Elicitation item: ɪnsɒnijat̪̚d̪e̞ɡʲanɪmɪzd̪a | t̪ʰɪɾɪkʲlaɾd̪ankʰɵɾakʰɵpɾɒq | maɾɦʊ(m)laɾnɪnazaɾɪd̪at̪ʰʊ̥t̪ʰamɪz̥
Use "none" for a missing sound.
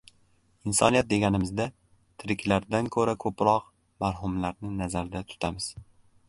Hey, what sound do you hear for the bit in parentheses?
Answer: m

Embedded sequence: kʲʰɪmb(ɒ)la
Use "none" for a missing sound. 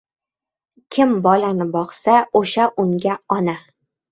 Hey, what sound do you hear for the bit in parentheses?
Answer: ɒ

